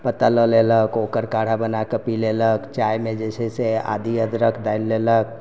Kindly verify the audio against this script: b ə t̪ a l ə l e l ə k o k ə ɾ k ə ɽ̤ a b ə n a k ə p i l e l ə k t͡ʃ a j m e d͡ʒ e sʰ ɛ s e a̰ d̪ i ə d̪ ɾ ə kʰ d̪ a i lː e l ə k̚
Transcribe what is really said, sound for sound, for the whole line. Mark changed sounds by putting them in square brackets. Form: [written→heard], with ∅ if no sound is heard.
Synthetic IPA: [b→p] ə t̪ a l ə l e l ə k o k ə ɾ k [ə→a] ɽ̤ a b ə n a k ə p i l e l ə k t͡ʃ a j m e d͡ʒ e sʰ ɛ s e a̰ d̪ i ə d̪ ɾ ə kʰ d̪ a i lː e l ə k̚

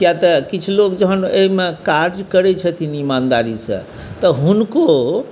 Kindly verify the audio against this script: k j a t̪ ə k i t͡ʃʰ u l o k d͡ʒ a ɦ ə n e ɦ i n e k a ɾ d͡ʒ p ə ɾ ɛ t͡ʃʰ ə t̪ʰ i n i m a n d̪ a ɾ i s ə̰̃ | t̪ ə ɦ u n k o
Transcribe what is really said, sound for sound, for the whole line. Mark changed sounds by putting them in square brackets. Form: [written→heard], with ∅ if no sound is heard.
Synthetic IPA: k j a t̪ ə k i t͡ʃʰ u l o k d͡ʒ [a→ə] ɦ ə n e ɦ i [n→m] e k a ɾ d͡ʒ [p→k] ə ɾ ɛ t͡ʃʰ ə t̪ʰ i n i m a n d̪ a ɾ i s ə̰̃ | t̪ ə ɦ u n k o

